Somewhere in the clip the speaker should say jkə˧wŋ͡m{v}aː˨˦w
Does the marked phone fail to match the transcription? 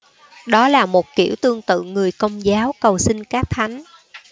yes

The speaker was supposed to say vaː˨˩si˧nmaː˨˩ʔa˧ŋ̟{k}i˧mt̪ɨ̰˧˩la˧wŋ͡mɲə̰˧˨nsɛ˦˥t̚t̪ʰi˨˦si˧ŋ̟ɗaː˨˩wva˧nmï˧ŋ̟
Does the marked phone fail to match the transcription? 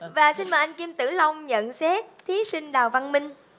no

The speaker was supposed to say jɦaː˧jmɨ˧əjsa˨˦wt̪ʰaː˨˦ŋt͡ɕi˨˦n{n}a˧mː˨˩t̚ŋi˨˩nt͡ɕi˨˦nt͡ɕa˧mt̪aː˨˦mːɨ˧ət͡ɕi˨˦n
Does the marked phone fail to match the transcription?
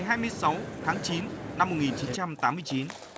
no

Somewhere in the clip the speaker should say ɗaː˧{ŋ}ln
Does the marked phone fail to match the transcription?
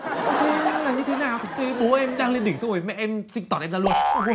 no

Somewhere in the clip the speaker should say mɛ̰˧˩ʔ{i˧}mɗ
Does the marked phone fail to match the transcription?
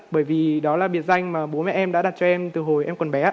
yes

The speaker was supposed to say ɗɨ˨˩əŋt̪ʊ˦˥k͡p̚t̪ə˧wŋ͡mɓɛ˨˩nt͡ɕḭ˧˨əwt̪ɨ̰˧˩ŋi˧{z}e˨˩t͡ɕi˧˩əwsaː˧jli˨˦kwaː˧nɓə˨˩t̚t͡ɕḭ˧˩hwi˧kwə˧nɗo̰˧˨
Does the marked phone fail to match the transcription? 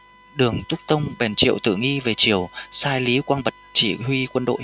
yes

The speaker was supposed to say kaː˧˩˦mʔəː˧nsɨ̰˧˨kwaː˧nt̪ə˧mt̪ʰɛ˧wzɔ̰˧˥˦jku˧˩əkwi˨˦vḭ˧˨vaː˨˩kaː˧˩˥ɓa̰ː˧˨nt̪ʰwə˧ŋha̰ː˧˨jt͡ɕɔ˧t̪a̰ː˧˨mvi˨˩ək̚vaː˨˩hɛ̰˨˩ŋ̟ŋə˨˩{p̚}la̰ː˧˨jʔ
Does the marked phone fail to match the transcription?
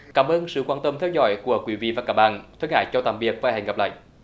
no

